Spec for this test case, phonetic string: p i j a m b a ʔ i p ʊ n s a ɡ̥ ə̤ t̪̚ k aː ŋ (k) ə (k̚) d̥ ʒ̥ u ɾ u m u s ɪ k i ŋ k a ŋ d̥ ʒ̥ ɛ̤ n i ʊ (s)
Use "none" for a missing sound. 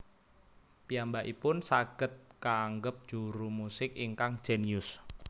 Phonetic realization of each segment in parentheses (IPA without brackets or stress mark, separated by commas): ɡ, p̚, s